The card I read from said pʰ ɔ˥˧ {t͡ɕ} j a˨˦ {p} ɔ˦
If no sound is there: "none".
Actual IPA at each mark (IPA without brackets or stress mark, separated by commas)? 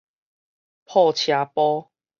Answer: t͡ɕʰ, p